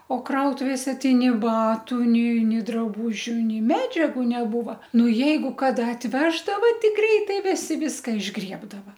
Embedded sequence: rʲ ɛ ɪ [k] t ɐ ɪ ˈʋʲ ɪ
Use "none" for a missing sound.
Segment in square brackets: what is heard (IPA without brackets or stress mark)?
none